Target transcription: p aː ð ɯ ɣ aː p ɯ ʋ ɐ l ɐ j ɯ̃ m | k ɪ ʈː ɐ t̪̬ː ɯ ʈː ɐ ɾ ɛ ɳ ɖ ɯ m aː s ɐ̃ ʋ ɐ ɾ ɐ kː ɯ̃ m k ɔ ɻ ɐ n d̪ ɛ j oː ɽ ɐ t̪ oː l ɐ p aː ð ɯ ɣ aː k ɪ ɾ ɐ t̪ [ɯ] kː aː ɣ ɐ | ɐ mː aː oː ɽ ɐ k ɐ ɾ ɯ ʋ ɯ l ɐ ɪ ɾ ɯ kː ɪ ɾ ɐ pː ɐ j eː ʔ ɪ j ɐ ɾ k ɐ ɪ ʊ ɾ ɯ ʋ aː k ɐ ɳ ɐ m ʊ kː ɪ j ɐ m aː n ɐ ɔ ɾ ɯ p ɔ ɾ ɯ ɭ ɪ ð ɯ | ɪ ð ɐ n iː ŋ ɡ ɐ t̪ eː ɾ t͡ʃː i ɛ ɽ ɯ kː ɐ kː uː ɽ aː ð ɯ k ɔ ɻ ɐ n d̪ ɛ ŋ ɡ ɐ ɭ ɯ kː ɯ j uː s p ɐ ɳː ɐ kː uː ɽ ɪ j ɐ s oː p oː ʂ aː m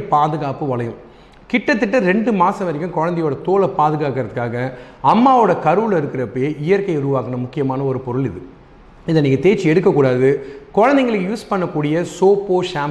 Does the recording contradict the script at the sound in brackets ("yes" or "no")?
no